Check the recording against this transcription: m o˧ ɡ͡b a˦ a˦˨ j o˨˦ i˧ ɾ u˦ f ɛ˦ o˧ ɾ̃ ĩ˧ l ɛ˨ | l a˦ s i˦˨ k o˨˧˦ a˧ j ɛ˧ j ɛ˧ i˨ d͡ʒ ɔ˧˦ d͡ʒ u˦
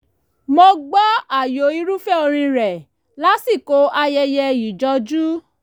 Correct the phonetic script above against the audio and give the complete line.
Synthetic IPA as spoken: m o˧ ɡ͡b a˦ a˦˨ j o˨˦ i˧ ɾ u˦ f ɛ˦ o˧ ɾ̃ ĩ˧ ɾ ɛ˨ | l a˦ s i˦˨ k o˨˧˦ a˧ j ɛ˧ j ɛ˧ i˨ d͡ʒ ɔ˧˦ d͡ʒ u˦